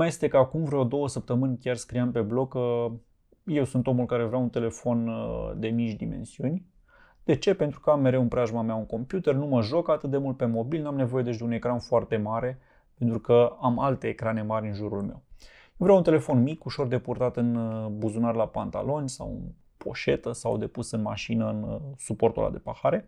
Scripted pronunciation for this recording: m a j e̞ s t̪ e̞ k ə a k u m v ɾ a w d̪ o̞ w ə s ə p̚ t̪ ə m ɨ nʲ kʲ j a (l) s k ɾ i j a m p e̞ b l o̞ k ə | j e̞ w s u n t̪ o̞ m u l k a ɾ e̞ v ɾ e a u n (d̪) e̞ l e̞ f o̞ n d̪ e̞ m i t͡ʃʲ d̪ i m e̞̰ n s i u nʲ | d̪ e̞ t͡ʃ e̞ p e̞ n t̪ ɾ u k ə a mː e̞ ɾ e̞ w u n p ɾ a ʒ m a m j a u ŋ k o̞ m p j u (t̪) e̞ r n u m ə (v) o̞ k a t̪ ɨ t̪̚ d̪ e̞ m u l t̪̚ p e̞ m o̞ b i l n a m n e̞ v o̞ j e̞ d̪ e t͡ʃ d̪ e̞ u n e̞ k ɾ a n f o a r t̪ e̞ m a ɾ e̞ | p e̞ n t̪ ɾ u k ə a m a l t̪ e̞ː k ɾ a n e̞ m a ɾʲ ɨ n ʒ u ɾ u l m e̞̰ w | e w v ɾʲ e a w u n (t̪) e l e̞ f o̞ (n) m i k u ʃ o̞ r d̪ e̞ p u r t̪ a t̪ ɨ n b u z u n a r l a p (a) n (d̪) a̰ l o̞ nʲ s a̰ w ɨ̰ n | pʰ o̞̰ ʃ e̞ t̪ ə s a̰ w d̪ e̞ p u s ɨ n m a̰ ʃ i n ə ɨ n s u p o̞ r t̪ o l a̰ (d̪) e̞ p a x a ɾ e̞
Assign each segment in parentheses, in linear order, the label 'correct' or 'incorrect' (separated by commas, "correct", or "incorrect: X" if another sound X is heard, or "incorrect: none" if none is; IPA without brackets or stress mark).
incorrect: r, incorrect: t̪, correct, incorrect: ʒ, correct, correct, correct, incorrect: t̪, correct